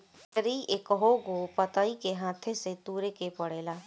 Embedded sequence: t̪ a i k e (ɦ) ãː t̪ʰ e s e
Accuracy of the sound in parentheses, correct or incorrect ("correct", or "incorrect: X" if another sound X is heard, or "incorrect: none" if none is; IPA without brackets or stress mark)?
correct